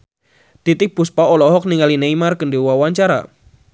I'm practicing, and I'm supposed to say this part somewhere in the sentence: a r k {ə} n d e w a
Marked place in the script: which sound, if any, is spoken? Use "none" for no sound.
ə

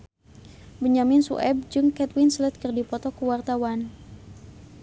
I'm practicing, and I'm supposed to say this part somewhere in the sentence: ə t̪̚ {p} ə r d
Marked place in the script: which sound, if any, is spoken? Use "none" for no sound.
k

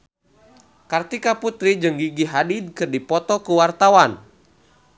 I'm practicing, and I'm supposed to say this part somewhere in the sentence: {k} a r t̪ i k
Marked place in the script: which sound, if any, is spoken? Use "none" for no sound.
k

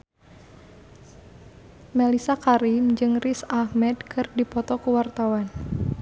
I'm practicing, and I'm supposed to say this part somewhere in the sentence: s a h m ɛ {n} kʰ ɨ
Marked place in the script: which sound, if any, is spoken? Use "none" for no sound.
d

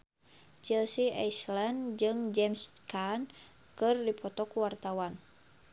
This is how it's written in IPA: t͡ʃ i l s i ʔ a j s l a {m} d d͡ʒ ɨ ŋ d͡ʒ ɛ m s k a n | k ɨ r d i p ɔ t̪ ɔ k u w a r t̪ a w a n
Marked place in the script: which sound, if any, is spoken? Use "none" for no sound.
n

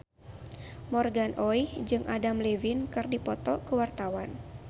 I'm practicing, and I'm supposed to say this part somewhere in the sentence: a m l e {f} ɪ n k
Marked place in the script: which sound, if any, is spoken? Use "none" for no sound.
v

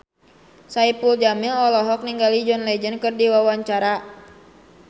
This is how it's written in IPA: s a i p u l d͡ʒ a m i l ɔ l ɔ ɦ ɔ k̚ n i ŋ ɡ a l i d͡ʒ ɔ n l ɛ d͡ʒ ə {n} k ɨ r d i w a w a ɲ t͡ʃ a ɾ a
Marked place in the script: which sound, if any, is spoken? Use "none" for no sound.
n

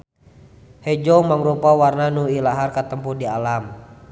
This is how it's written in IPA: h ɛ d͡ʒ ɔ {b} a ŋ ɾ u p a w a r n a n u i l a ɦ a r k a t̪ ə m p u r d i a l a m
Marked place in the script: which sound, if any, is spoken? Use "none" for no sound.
m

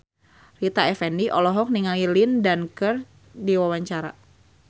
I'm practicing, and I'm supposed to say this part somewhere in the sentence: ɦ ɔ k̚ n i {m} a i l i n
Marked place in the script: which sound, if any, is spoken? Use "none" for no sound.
ŋ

